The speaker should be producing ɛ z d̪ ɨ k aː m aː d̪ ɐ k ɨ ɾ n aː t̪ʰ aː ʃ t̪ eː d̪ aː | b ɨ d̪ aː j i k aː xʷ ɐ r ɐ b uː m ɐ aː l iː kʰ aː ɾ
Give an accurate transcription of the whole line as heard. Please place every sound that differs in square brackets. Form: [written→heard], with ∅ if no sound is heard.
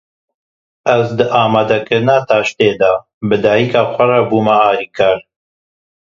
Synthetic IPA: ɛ z d̪ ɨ [k→ʔ] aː m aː d̪ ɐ k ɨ ɾ n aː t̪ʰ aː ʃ t̪ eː d̪ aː | b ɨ d̪ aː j i k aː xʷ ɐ r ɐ b uː m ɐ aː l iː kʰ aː ɾ